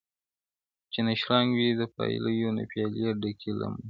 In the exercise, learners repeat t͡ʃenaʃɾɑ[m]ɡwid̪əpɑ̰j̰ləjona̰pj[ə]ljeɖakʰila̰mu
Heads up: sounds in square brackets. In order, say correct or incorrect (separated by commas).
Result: incorrect, incorrect